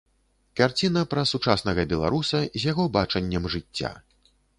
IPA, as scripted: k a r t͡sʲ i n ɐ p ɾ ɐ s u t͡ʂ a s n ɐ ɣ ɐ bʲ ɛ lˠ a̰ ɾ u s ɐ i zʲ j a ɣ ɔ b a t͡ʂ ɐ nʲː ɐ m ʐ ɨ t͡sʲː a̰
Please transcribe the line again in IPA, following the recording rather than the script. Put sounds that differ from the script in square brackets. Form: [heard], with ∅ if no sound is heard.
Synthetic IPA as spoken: k a r t͡sʲ i n ɐ p ɾ ɐ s u t͡ʂ a s n ɐ ɣ ɐ bʲ ɛ lˠ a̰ ɾ u s ɐ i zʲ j a ɣ ɔ b a t͡ʂ ɐ nʲː ɐ m ʐ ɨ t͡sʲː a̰